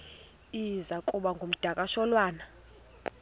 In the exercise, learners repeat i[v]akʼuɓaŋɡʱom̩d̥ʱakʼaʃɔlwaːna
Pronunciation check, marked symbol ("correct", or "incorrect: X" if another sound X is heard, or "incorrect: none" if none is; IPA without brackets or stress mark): incorrect: z